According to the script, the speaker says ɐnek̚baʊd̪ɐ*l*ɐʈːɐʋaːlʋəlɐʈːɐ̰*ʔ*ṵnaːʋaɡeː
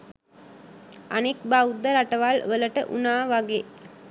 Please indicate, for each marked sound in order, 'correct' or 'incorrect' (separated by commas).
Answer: incorrect, correct